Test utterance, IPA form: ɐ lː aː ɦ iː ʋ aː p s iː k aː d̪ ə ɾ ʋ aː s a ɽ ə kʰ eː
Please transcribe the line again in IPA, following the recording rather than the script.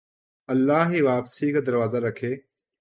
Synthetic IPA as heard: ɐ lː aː ɦ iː ʋ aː p s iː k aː d̪ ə ɾ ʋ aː z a ɾ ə kʰ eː